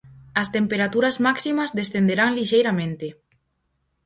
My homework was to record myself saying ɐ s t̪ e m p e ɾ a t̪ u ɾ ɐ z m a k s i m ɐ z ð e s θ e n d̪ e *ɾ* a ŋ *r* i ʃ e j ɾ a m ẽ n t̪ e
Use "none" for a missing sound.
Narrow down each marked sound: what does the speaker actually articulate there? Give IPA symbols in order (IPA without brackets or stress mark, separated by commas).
ɾ, l